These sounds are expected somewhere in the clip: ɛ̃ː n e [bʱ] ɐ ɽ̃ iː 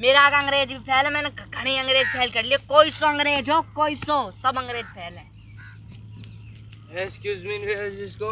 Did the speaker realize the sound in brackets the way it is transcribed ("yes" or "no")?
no